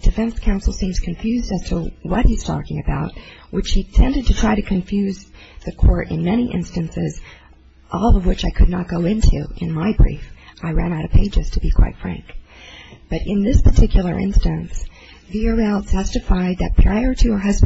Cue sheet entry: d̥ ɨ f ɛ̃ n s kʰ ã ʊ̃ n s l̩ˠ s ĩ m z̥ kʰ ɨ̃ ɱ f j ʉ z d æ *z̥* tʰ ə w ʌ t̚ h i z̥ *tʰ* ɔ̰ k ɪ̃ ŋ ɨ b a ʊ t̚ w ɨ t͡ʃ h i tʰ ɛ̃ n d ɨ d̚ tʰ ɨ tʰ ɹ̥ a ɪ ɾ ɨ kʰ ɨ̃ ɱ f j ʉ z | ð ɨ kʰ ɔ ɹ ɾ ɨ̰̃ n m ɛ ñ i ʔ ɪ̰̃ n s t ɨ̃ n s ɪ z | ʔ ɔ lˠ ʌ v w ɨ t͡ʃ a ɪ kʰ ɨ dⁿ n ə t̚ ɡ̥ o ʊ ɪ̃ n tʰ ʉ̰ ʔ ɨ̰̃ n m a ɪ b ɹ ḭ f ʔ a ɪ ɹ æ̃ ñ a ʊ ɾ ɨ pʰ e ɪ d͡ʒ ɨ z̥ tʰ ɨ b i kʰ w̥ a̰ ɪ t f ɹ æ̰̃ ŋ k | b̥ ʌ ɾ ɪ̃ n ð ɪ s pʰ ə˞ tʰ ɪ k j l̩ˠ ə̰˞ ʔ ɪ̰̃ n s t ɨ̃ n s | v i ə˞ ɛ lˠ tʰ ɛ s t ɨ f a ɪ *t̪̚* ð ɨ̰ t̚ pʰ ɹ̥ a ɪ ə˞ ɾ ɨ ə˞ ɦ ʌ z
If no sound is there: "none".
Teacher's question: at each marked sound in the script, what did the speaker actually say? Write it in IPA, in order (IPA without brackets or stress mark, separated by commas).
z̥, tʰ, d̪̚